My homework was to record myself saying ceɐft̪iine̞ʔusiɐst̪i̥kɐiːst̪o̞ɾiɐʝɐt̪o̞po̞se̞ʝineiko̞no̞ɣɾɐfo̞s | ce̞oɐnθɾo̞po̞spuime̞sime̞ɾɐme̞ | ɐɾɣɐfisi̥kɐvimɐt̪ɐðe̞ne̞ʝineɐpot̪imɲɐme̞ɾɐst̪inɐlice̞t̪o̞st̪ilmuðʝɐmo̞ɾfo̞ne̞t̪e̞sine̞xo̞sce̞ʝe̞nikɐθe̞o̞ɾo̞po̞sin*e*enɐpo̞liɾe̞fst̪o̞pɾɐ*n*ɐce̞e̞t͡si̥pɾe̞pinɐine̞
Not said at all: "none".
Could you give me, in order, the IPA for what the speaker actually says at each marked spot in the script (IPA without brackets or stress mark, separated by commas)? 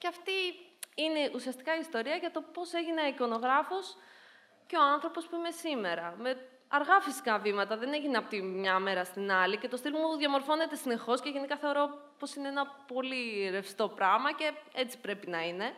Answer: e, m